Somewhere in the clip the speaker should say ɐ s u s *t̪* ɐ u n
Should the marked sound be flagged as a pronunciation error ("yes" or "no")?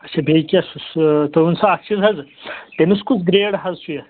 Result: no